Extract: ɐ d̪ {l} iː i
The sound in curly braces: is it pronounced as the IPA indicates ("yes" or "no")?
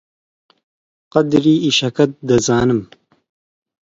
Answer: no